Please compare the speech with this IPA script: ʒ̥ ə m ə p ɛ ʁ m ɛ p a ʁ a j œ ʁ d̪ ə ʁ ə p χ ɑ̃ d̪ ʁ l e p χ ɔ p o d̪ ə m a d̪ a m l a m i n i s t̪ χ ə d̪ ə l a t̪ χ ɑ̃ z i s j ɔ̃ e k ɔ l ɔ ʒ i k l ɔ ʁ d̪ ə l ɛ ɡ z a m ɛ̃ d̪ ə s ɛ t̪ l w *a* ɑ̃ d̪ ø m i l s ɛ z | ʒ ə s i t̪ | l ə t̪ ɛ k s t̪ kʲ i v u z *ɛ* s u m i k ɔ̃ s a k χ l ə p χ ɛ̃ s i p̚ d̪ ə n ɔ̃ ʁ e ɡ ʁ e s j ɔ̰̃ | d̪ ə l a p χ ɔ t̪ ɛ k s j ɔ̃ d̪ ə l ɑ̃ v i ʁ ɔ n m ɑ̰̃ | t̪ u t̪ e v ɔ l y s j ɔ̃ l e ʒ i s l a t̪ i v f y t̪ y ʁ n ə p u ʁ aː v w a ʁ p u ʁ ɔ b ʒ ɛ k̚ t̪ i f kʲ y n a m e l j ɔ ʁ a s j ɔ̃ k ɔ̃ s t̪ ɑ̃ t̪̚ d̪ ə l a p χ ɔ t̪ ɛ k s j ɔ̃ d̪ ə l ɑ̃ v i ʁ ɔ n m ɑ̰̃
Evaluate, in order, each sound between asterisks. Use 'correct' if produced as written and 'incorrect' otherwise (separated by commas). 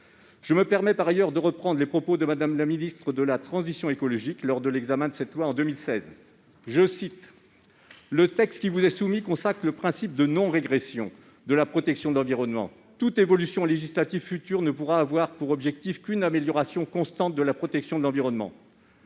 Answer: correct, correct